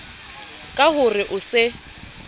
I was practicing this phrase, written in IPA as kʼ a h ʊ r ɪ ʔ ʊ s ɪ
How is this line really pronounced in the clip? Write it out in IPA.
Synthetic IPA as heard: kʼ a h ʊ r ɪ ʔ ʊ s ɪ